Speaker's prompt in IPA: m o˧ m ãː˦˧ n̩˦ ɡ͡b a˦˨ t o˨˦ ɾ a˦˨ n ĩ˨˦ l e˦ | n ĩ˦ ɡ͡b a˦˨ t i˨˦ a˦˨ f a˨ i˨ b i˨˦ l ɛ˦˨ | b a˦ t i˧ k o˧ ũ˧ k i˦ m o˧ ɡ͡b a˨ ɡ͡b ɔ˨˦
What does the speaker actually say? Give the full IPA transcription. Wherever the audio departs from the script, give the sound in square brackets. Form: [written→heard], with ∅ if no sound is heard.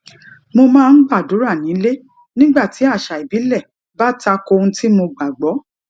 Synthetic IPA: m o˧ m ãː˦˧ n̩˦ ɡ͡b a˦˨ [t→d] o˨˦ ɾ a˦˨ n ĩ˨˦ l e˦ | n ĩ˦ ɡ͡b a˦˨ t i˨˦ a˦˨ [f→ʃ] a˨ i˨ b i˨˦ l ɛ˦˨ | b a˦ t [i˧→a˧] k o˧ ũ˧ [k→t] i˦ m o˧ ɡ͡b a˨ ɡ͡b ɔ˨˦